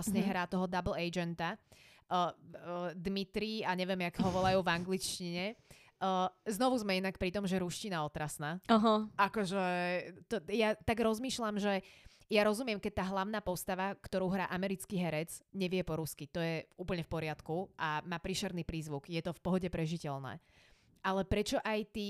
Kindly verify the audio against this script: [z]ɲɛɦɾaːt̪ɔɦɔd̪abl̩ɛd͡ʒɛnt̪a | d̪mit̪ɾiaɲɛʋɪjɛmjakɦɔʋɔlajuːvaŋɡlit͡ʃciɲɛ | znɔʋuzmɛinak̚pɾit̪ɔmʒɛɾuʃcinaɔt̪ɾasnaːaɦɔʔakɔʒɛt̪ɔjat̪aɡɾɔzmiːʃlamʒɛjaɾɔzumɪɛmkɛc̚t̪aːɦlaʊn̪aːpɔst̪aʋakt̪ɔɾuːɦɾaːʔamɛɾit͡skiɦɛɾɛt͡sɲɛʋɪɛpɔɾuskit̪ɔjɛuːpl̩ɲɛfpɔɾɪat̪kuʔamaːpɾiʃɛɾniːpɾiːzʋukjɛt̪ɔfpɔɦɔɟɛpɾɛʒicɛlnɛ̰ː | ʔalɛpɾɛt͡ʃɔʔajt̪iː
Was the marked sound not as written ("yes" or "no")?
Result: yes